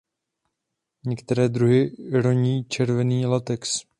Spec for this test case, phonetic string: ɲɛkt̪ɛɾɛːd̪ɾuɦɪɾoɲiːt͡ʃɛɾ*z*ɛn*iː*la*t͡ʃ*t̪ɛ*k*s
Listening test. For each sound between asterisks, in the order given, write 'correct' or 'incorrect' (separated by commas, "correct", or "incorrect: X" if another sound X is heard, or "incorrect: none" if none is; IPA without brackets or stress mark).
incorrect: v, correct, incorrect: none, correct